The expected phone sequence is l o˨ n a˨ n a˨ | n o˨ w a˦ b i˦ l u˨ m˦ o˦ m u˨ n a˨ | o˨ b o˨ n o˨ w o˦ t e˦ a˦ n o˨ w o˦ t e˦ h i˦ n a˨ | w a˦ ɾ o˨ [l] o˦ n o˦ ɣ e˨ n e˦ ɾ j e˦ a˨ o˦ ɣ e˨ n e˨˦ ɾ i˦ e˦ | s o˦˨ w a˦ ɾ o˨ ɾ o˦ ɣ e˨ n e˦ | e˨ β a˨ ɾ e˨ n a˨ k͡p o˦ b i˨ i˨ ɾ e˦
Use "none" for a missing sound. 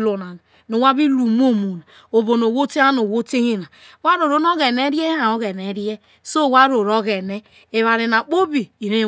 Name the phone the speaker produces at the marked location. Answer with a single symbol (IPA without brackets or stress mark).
ɾ